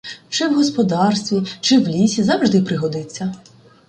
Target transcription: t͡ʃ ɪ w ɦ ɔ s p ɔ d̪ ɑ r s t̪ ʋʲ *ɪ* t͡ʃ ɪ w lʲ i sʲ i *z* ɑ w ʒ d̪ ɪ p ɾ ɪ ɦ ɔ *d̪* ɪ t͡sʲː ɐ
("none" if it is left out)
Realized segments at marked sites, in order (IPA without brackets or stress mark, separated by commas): i, z, d̪